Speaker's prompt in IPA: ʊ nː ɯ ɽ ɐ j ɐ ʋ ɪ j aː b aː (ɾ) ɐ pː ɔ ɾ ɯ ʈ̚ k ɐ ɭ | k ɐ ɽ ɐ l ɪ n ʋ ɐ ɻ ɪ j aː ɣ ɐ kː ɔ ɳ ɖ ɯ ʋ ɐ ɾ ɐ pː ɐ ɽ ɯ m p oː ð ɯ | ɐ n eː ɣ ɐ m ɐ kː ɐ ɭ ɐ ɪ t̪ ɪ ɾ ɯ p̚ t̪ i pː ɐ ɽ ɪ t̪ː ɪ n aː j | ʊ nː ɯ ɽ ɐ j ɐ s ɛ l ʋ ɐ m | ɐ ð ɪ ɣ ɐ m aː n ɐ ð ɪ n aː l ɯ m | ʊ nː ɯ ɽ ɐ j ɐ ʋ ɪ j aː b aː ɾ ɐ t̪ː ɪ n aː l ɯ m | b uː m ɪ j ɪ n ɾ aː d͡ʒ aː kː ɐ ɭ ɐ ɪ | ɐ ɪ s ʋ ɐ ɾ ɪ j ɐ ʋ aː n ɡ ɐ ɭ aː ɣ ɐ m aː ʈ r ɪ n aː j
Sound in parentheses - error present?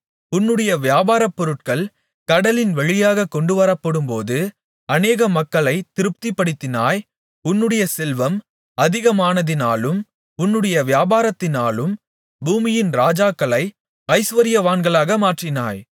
no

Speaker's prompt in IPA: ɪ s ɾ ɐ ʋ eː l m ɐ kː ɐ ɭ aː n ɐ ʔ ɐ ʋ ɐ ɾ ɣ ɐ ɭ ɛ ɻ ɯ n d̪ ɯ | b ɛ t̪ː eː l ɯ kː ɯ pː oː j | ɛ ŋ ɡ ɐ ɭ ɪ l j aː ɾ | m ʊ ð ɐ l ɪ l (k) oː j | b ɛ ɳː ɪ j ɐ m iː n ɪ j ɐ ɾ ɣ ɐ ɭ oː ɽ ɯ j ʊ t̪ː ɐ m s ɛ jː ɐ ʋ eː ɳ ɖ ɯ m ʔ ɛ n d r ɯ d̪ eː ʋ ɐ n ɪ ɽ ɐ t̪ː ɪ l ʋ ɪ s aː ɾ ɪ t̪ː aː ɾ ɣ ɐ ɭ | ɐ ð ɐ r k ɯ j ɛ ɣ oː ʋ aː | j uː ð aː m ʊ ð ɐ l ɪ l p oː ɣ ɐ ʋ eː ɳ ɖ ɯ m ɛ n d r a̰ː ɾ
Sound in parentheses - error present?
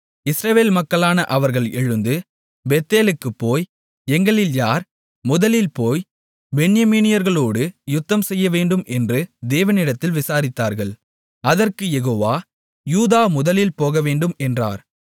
yes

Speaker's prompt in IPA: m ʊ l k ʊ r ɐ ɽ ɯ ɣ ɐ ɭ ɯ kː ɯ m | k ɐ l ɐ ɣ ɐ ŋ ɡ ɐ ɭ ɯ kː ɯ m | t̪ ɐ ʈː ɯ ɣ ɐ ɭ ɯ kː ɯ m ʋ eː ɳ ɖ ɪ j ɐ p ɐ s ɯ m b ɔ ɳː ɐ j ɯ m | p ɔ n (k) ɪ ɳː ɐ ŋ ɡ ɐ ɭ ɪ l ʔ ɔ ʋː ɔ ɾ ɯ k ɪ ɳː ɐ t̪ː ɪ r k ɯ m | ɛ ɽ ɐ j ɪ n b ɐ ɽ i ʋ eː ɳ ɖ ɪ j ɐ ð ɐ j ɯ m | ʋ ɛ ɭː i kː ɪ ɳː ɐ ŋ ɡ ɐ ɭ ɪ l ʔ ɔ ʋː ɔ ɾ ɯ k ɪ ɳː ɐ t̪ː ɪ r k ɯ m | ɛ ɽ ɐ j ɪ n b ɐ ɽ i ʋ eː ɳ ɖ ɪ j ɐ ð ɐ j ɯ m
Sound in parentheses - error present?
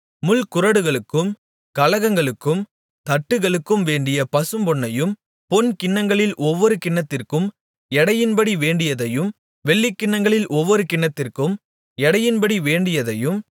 no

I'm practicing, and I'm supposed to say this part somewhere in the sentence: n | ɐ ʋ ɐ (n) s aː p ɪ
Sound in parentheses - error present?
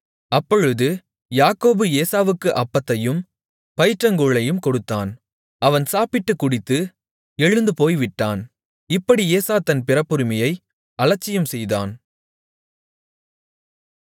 no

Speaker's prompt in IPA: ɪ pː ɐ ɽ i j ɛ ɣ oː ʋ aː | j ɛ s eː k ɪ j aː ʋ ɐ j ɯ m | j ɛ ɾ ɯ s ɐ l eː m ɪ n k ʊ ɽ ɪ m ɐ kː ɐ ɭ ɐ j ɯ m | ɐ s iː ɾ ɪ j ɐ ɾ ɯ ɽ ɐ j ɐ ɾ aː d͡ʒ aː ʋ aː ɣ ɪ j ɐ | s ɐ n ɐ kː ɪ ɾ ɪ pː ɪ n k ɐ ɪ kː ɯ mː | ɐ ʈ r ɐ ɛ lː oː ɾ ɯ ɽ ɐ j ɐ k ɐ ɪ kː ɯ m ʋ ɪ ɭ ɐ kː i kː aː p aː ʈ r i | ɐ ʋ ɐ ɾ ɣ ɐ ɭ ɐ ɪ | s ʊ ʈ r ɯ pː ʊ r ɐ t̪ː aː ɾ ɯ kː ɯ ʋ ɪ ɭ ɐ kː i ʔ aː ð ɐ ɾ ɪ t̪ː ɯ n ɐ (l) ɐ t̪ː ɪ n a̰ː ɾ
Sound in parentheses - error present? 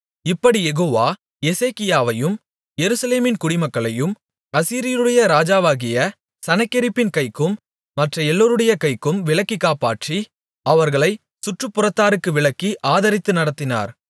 yes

